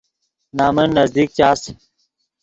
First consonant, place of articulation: alveolar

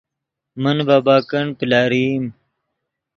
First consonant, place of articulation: labial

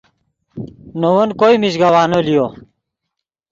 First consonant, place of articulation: alveolar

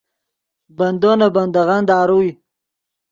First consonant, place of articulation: labial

